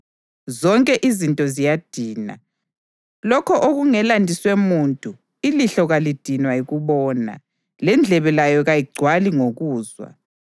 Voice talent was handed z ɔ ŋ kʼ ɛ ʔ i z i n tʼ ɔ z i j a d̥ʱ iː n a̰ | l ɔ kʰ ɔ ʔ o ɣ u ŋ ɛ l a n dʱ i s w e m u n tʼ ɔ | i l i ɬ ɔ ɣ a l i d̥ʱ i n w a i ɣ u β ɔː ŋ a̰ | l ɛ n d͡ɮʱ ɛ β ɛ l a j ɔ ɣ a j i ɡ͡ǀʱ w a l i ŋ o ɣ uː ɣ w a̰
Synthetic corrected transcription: z ɔ ŋ kʼ ɛ ʔ i z i n tʼ ɔ z i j a d̥ʱ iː n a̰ | l ɔ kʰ ɔ ʔ o ɣ u ŋ ɛ l a n dʱ i s w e m u n tʼ u | i l i ɬ ɔ ɣ a l i d̥ʱ i n w a i ɣ u β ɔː n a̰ | l ɛ n d͡ɮʱ ɛ β ɛ l a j ɔ ɣ a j i ɡ͡ǀʱ w a l i ŋ o ɣ uː z w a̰